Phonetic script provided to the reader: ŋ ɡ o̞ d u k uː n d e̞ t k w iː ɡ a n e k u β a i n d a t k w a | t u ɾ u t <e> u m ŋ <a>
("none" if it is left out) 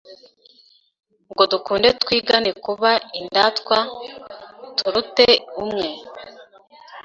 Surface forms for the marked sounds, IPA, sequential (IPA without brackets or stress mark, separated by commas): e, e